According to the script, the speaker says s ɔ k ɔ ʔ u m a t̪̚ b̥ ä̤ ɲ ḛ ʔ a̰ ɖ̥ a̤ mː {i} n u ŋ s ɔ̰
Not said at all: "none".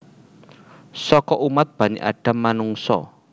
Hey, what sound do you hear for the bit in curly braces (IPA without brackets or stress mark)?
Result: a